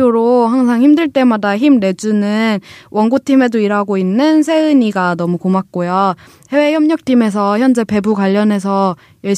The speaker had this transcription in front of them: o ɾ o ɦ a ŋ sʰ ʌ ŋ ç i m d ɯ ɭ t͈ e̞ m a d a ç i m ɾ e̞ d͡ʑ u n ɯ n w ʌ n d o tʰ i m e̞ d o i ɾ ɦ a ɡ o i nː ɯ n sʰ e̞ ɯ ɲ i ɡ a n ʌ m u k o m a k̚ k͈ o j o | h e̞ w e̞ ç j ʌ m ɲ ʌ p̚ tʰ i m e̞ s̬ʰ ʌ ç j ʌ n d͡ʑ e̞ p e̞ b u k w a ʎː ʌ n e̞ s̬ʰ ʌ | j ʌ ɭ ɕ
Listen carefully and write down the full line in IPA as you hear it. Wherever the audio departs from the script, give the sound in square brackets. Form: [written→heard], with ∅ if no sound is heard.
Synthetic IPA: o ɾ o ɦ a ŋ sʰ [ʌ→a] ŋ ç i m d ɯ ɭ t͈ e̞ m a d a ç i m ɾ e̞ d͡ʑ u n ɯ n w ʌ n [d→ɡ] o tʰ i m e̞ d o i ɾ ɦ a ɡ o i nː ɯ n sʰ e̞ ɯ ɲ i ɡ a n ʌ m u k o m a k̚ k͈ o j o | h e̞ w e̞ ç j ʌ m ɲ ʌ [p̚→k̚] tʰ i m e̞ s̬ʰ ʌ ç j ʌ n d͡ʑ e̞ p e̞ b u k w a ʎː ʌ n e̞ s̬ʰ ʌ | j ʌ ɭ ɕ